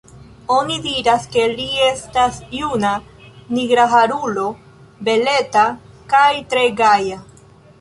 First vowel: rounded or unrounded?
rounded